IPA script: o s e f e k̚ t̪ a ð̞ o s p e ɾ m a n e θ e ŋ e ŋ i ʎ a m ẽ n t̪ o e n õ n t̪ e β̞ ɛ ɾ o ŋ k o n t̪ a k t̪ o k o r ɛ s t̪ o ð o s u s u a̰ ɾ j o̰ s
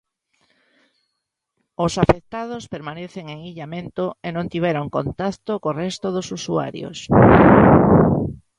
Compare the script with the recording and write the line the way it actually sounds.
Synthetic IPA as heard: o s a f e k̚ t̪ a ð̞ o s p e ɾ m a n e θ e ŋ e ŋ i ʎ a m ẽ n t̪ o e n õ n t̪ i β̞ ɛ ɾ o ŋ k o n t̪ a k t̪ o k o r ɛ s t̪ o ð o s u s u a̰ ɾ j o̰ s